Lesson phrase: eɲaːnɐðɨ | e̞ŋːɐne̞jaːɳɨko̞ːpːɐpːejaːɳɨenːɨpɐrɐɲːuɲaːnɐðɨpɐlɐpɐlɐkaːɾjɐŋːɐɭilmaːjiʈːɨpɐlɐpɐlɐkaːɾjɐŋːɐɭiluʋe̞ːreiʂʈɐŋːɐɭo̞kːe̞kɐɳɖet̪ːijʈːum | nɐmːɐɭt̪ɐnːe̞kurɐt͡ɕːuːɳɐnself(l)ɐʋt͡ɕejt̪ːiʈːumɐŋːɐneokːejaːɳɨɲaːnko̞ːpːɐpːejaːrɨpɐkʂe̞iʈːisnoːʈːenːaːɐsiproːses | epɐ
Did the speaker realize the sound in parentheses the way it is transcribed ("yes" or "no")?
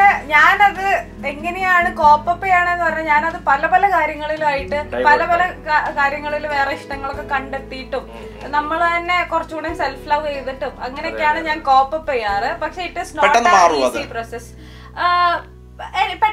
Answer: yes